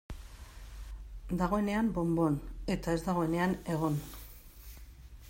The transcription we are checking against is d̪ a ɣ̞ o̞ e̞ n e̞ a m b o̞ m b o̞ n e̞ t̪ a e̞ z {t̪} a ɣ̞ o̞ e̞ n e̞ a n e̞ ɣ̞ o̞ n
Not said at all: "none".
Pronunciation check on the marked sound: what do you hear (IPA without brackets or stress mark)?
d̪